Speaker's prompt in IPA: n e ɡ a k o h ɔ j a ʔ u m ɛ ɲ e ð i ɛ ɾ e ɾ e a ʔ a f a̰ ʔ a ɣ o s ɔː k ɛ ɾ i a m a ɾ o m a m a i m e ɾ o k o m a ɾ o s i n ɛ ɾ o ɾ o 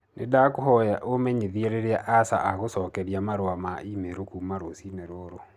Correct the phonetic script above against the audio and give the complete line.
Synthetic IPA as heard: n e d a k o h ɔ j a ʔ o m ɛ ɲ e ð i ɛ ɾ e ɾ e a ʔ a s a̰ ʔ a ɣ o s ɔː k ɛ ɾ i a m a ɾ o a m a i m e ɾ o k u m a ɾ o s i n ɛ ɾ o ɾ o